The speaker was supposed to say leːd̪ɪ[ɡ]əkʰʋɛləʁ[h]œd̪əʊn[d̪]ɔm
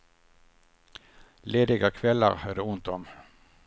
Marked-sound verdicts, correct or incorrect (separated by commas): correct, correct, incorrect